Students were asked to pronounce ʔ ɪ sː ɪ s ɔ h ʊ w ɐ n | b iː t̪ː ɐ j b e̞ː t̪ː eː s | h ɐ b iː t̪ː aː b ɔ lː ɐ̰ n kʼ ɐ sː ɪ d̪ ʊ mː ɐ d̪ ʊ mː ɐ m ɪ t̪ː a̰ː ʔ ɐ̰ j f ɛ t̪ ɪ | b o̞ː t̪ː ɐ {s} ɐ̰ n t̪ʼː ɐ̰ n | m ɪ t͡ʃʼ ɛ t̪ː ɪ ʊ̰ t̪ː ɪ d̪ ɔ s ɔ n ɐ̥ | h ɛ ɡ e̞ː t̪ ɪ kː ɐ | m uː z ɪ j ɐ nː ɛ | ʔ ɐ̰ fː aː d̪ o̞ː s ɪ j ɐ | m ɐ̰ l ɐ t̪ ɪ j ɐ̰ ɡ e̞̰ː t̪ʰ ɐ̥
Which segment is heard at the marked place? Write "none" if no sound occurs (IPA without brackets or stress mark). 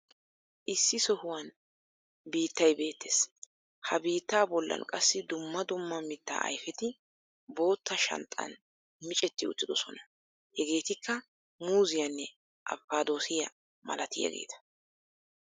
ʃ